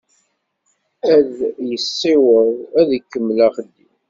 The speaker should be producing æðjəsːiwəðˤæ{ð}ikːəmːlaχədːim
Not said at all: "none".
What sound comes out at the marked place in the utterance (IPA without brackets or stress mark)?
ð